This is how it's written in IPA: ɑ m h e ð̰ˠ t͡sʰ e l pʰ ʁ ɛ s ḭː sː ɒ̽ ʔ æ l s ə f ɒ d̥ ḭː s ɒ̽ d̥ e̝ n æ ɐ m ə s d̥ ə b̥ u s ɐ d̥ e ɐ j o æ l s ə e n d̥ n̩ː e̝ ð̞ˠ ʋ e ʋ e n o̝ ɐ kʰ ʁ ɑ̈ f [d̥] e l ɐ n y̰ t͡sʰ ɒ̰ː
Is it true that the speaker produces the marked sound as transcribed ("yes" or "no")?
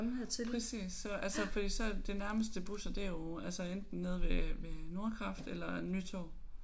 yes